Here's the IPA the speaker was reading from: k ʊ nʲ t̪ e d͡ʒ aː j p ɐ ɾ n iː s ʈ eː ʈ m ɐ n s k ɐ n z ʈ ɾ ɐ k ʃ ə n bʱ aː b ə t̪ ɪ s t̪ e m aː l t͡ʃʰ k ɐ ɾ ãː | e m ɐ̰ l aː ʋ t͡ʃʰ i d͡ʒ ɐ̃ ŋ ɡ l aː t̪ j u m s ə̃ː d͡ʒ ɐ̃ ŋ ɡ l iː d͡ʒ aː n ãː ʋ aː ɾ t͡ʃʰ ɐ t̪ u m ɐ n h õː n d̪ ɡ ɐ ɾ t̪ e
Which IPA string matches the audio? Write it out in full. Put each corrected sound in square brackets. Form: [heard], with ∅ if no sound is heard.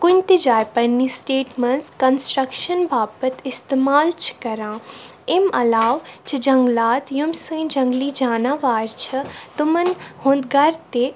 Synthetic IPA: k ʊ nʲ t̪ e d͡ʒ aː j p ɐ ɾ n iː s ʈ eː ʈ m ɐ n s k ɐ n [s] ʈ ɾ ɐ k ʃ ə n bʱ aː b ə t̪ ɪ s t̪ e m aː l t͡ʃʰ k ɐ ɾ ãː | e m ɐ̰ l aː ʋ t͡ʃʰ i d͡ʒ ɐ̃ ŋ ɡ l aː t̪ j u m s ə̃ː d͡ʒ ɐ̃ ŋ ɡ l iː d͡ʒ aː n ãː ʋ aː ɾ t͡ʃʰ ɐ t̪ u m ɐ n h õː n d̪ ɡ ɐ ɾ t̪ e